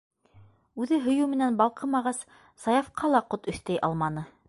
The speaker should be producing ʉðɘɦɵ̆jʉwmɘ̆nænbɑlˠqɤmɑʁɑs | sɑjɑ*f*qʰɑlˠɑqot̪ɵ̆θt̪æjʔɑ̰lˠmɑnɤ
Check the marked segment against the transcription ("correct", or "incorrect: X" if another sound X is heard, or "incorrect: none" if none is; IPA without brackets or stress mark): correct